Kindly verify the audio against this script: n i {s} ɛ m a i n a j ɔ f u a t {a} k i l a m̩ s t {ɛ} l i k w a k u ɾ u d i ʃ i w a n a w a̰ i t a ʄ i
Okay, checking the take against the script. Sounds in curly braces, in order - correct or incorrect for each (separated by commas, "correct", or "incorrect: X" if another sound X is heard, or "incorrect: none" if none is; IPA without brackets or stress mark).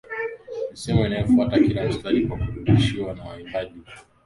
correct, correct, incorrect: a